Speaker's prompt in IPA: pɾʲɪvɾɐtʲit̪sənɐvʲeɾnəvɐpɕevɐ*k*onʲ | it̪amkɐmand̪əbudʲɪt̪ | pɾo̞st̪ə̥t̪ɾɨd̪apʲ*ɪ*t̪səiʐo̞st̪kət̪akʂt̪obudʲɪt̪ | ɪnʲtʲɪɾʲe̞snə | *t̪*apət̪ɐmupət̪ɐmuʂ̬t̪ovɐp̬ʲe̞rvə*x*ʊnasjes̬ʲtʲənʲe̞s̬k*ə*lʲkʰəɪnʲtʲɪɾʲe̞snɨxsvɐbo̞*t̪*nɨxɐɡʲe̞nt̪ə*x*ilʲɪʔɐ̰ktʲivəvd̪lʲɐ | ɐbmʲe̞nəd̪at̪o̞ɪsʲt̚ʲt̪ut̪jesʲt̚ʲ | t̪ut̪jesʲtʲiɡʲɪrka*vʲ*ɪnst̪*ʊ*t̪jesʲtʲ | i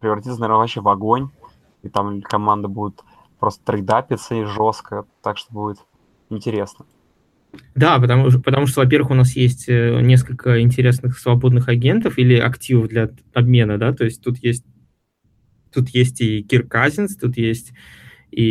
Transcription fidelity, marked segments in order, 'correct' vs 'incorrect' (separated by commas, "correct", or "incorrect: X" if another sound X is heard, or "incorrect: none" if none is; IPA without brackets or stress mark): incorrect: ɡ, correct, incorrect: d̪, correct, correct, incorrect: d̪, incorrect: f, incorrect: zʲ, incorrect: u